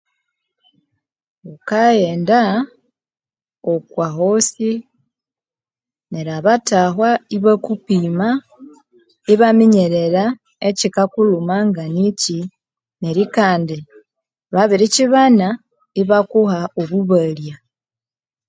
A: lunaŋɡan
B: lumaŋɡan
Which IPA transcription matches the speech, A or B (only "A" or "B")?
B